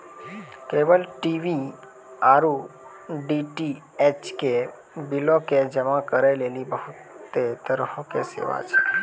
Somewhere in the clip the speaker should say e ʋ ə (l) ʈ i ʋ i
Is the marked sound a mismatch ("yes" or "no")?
no